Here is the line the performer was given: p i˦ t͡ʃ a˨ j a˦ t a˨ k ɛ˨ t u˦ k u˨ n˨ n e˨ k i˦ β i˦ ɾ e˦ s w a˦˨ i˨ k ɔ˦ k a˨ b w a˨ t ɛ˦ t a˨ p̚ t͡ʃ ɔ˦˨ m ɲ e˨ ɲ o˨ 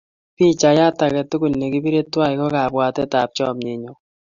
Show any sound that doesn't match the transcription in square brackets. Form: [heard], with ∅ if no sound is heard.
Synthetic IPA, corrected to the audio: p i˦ t͡ʃ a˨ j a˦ t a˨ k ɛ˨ t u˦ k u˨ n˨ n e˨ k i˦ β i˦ ɾ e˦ [t] w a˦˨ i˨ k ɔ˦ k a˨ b w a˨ t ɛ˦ t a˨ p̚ t͡ʃ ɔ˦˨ m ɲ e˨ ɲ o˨